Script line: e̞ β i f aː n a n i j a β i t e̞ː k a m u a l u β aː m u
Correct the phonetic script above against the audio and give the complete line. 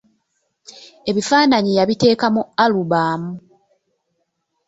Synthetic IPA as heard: e̞ β i f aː n a ɲ i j a β i t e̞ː k a m u a l u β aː m u